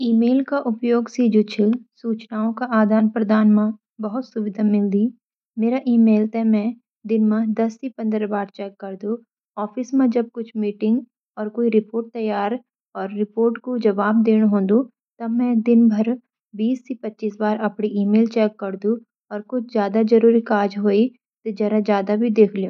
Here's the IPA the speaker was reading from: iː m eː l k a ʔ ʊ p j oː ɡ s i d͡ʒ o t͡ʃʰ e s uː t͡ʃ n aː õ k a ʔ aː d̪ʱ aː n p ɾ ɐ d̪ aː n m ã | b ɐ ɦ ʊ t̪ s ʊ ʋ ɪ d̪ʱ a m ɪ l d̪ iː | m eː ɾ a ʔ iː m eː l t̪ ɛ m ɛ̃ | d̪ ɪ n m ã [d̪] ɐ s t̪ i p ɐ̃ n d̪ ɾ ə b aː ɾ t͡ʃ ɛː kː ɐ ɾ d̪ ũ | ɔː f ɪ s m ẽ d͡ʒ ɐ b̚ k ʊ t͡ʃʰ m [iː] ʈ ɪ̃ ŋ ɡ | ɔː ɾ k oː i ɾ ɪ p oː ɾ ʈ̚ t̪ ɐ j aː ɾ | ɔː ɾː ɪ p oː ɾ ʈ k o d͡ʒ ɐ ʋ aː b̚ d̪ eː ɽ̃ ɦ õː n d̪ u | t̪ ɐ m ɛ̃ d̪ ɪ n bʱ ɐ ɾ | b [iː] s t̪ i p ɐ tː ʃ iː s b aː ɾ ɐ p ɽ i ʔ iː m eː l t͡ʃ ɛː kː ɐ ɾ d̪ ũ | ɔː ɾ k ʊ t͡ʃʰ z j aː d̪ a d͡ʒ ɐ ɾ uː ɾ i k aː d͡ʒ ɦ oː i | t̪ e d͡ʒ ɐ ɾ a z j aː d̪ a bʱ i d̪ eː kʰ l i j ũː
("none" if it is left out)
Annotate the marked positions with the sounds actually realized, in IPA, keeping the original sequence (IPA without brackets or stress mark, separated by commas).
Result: d̪, iː, iː